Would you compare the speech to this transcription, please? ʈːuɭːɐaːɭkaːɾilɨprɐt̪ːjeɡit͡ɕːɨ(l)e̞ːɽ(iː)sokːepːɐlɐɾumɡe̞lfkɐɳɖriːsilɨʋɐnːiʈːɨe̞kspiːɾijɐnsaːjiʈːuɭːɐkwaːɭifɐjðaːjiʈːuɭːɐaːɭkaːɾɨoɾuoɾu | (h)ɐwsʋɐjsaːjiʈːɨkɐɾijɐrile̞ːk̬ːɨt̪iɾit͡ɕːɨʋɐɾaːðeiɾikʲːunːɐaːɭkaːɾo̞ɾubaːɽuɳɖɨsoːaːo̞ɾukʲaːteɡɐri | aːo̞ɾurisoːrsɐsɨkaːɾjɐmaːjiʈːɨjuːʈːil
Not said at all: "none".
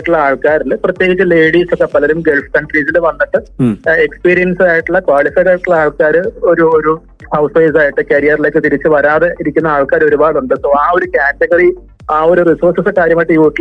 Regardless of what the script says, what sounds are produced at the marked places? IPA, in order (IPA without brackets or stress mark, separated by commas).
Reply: l, iː, h